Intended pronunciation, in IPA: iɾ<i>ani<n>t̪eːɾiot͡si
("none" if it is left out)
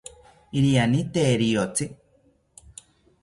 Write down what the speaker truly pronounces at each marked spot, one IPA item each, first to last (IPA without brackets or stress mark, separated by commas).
i, none